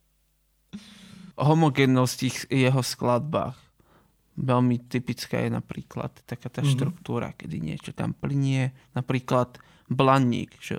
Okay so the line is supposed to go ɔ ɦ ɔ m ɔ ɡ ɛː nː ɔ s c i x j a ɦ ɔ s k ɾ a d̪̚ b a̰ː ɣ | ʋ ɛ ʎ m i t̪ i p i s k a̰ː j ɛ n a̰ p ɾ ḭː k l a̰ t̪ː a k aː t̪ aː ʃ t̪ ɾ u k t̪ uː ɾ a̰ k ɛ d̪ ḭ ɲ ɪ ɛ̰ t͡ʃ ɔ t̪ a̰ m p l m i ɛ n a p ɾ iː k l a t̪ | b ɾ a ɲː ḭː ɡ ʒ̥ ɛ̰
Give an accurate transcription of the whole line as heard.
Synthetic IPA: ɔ ɦ ɔ m ɔ ɡ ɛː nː ɔ s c i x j ɛ ɦ ɔ s k l a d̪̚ b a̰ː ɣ | ʋ ɛ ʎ m i t̪ i p i t͡s k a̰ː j ɛ n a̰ p ɾ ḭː k l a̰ t̪ː a k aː t̪ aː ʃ t̪ ɾ u k t̪ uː ɾ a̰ k ɛ d̪ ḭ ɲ ɪ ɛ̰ t͡ʃ ɔ t̪ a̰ m p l ɲ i ɛ n a p ɾ iː k l a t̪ | b l a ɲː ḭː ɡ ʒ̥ ɛ̰